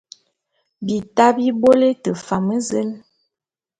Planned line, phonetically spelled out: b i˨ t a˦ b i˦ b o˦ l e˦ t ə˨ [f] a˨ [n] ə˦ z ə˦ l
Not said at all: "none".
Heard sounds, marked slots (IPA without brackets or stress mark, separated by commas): f, m